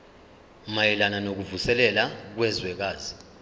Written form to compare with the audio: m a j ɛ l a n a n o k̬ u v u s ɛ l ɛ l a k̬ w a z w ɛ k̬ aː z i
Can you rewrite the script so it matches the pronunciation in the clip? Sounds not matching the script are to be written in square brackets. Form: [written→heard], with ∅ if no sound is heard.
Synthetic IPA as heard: m a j ɛ l a n a n o k̬ u v u s ɛ l ɛ l a k̬ w [a→ɛ] z w ɛ k̬ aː z i

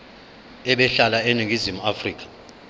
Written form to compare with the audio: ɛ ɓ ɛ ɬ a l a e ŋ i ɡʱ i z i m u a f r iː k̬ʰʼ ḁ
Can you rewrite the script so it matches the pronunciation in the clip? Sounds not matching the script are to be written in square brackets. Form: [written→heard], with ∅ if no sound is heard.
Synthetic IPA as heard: ɛ ɓ ɛ ɬ a l a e [ŋ→n] i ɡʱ i z i m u a f r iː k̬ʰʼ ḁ

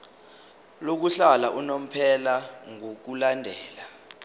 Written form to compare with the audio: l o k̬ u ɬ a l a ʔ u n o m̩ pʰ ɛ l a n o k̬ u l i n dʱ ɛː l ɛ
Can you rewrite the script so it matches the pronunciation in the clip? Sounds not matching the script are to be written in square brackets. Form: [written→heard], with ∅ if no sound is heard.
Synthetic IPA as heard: l o k̬ u ɬ a l a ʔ u n o m̩ pʰ ɛ l a [n→ŋ] o k̬ u l [i→a] n dʱ ɛː l [ɛ→a]

